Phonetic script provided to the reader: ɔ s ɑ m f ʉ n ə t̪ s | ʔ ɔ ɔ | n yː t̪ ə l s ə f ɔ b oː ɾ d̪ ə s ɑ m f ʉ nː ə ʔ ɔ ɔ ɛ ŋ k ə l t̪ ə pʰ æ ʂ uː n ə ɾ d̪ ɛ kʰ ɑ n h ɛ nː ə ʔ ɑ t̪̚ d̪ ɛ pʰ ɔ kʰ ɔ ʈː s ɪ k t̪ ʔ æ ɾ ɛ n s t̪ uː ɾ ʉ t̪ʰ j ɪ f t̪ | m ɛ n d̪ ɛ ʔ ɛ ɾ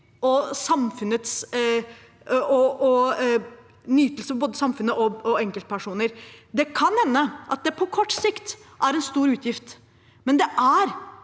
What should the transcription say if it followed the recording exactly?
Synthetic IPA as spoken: ɔ s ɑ m f ʉ n ə t̪ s | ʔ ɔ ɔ | n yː t̪ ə l s ə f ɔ b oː d̪ ə s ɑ m f ʉ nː ə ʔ ɔ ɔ ɛ ŋ k ə l t̪ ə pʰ æ ʂ uː n ə ɾ d̪ ɛ kʰ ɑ n h ɛ nː ə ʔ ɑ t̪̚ d̪ ɛ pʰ ɔ kʰ ɔ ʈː s ɪ k t̪ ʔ æ ɾ ɛ n s t̪ uː ɾ ʉː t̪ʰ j ɪ f t̪ | m ɛ n d̪ ɛ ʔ æ ɾ